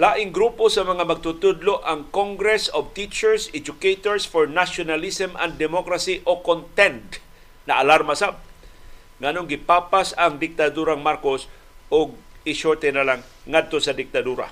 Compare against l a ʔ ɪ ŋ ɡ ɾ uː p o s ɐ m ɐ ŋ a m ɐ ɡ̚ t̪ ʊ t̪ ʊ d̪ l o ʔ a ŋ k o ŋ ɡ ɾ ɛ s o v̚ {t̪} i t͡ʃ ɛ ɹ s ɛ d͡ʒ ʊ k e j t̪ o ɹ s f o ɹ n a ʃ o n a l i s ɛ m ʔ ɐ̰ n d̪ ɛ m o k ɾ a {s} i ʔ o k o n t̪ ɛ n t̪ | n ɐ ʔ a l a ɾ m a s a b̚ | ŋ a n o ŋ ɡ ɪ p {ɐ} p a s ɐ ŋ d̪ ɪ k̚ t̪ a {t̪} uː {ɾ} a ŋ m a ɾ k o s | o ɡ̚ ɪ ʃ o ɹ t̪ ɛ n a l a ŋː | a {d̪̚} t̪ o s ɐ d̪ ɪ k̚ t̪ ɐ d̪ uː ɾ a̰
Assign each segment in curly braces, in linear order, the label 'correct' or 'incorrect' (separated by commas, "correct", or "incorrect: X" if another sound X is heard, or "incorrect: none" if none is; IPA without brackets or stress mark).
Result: correct, correct, incorrect: a, incorrect: d̪, correct, correct